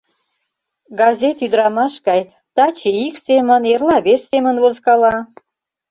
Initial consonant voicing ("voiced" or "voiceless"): voiced